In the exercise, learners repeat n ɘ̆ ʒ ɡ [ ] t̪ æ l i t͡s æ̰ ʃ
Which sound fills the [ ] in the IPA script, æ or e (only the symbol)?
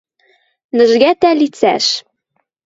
æ